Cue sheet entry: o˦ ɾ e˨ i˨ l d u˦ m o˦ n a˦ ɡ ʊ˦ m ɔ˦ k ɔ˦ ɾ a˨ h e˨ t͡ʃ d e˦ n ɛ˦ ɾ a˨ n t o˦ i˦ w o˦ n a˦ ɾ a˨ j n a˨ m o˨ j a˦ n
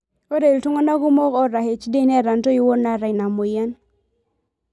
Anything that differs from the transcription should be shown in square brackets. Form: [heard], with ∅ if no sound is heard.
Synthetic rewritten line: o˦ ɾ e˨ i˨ l [t] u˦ [ŋ] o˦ n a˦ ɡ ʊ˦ m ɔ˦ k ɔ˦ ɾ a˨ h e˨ t͡ʃ d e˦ n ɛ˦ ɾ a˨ n t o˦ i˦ w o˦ n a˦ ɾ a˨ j n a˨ m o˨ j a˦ n